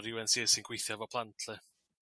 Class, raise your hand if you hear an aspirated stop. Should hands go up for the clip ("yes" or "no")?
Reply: yes